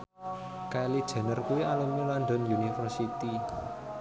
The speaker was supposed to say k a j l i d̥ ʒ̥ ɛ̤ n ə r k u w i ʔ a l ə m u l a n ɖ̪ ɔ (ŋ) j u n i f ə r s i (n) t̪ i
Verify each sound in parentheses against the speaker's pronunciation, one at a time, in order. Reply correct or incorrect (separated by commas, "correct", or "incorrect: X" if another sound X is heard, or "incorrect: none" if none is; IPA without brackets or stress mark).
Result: incorrect: n, incorrect: none